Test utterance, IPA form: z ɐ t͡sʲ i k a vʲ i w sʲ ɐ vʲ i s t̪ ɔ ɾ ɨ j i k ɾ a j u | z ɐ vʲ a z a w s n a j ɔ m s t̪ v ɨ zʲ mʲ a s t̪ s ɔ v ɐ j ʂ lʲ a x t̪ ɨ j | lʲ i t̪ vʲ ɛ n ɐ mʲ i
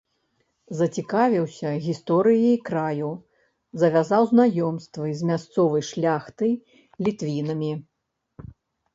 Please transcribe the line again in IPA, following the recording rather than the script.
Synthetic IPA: z ɐ t͡sʲ i k a vʲ i w sʲ ɐ ɣʲ i s t̪ ɔ ɾ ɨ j i k ɾ a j u | z ɐ vʲ a z a w z n a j ɔ m s t̪ v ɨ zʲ mʲ a s t̪ s ɔ v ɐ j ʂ lʲ a x t̪ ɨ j | lʲ i t̪ vʲ i n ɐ mʲ i